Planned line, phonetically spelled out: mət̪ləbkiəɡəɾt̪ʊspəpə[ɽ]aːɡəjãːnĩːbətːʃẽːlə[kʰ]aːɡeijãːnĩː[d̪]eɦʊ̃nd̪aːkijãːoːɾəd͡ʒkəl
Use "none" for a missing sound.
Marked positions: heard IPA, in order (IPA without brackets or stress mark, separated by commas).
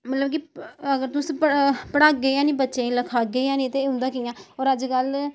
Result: ɽ, kʰ, t̪